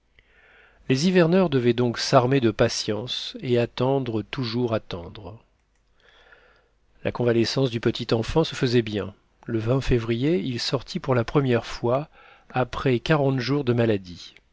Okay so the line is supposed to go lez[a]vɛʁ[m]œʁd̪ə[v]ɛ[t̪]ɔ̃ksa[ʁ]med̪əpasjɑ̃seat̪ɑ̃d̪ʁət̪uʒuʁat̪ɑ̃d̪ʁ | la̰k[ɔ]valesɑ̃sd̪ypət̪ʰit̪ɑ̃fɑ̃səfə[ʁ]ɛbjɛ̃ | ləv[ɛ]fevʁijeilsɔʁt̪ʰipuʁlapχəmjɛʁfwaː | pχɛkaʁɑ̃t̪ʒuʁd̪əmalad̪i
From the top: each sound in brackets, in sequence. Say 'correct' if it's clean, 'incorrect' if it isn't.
incorrect: i, incorrect: n, correct, incorrect: d̪, correct, incorrect: ɔ̃, incorrect: z, incorrect: ɛ̃

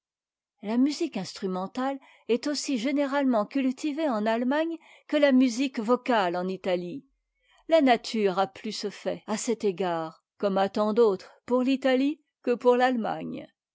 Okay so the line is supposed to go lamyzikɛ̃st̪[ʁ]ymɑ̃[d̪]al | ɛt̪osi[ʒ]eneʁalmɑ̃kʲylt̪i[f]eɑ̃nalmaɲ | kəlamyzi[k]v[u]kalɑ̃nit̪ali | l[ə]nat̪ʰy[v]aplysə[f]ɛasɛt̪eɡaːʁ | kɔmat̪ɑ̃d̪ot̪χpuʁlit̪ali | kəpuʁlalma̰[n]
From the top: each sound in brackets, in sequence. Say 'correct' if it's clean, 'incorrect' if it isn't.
incorrect: χ, incorrect: t̪, correct, incorrect: v, correct, incorrect: ɔ, incorrect: a, incorrect: ʁ, correct, incorrect: ɲ

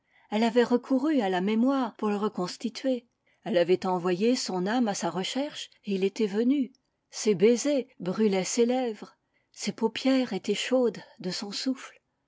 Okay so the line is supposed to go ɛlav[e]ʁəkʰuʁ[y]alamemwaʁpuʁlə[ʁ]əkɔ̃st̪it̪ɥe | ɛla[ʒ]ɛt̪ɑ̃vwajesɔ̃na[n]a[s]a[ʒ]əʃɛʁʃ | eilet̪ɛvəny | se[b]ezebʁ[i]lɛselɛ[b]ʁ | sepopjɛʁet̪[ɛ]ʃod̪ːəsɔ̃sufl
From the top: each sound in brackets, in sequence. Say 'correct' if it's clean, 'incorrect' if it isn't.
incorrect: ɛ, correct, correct, incorrect: v, incorrect: m, correct, incorrect: ʁ, correct, incorrect: y, incorrect: v, correct

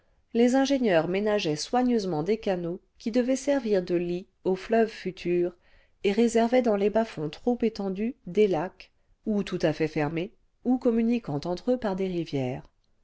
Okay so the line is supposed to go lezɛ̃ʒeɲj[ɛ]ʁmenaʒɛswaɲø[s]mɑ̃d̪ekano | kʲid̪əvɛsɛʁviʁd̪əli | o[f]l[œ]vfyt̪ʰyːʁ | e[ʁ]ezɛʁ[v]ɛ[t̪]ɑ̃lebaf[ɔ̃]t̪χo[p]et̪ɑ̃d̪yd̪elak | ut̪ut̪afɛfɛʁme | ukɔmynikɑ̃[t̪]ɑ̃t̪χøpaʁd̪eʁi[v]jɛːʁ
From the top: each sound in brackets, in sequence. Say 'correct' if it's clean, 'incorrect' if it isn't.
incorrect: œ, incorrect: z, correct, correct, correct, correct, incorrect: d̪, correct, correct, correct, correct

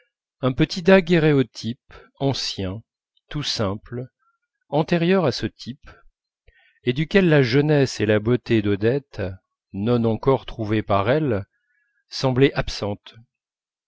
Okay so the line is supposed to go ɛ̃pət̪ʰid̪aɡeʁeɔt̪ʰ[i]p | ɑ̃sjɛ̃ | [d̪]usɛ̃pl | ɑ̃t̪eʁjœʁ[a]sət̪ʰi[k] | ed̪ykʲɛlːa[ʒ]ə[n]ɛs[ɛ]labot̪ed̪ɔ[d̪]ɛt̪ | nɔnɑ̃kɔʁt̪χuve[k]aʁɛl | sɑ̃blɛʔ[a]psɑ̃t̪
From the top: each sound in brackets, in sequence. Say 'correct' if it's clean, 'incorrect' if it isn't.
correct, incorrect: t̪, correct, incorrect: p, correct, correct, incorrect: e, correct, incorrect: p, correct

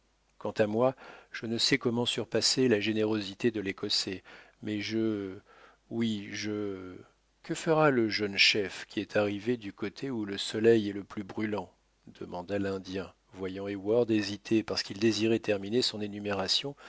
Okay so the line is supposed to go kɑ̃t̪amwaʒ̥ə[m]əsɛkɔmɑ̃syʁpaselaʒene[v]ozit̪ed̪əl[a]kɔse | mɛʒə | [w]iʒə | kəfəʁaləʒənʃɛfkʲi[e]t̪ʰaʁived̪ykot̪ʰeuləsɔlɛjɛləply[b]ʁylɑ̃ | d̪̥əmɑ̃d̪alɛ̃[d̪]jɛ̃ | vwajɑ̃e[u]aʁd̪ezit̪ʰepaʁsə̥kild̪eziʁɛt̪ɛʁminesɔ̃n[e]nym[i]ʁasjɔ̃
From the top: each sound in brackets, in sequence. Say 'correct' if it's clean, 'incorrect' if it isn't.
incorrect: n, incorrect: ʁ, incorrect: e, correct, incorrect: ɛ, correct, correct, incorrect: w, correct, incorrect: e

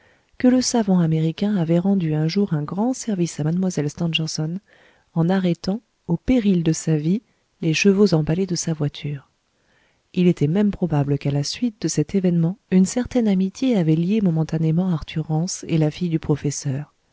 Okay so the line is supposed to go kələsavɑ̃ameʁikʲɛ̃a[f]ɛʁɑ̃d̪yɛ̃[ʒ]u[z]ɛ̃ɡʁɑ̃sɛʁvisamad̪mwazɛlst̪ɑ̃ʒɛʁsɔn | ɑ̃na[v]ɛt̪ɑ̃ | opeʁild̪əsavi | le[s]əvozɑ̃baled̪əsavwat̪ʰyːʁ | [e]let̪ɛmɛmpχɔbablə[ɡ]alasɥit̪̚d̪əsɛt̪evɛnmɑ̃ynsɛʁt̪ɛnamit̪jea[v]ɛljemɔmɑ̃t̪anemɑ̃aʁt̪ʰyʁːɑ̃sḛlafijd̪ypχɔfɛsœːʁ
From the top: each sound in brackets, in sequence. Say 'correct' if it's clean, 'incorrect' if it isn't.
incorrect: v, correct, incorrect: ʁ, incorrect: ʁ, incorrect: ʃ, incorrect: i, incorrect: k, correct

